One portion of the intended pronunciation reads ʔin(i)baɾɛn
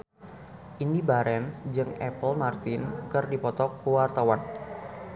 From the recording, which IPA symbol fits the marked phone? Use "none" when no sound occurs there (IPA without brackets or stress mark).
i